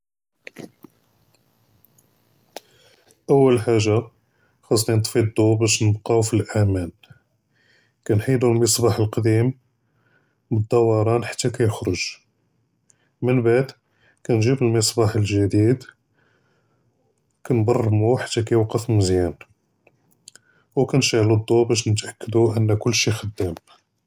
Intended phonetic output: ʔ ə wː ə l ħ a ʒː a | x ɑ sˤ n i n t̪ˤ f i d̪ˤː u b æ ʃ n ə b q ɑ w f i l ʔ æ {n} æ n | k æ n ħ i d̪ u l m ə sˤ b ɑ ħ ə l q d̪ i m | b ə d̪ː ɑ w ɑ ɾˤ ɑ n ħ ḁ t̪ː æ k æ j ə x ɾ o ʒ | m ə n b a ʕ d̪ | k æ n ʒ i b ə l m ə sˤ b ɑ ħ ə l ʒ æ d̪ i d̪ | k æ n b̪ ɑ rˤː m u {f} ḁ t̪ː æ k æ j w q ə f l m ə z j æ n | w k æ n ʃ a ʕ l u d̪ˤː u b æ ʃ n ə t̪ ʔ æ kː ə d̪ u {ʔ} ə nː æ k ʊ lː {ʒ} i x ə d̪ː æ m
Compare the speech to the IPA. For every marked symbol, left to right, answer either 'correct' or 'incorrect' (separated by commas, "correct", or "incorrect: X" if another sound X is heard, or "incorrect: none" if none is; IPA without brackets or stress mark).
incorrect: m, incorrect: ħ, correct, incorrect: ʃ